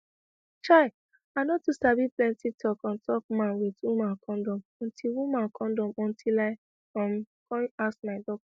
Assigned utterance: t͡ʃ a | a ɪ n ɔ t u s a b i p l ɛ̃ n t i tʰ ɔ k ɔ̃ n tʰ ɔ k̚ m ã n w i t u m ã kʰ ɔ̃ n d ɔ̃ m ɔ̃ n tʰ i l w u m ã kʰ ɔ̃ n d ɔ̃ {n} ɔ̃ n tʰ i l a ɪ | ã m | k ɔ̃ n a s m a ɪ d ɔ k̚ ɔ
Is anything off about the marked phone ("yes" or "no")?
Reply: yes